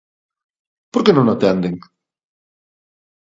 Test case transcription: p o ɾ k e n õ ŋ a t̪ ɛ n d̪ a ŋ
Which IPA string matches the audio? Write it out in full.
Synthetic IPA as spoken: p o ɾ k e n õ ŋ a t̪ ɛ n d̪ e ŋ